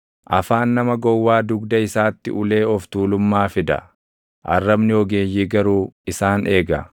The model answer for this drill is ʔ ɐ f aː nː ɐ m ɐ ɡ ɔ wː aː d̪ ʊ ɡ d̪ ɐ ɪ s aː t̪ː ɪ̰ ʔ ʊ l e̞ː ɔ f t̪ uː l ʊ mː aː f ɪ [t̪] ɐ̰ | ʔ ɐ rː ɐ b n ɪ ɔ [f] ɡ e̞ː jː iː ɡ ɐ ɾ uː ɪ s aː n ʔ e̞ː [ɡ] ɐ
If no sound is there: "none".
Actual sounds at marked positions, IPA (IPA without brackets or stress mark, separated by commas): d̪, none, ɡ